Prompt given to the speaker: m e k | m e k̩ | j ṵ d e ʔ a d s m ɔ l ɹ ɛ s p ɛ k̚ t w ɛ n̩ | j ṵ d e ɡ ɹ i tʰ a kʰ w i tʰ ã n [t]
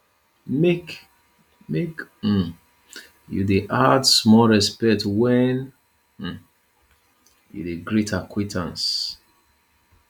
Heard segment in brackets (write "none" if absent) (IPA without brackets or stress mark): s